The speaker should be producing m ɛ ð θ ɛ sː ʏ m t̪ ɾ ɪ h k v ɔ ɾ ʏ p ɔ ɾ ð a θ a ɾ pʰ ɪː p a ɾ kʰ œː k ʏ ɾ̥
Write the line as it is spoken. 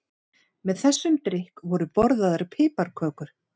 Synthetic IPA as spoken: m ɛ ð θ ɛ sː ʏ m t̪ ɾ ɪ h k v ɔ ɾ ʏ p ɔ ɾ ð a ð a ɾ pʰ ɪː p a ɾ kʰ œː k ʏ ɾ̥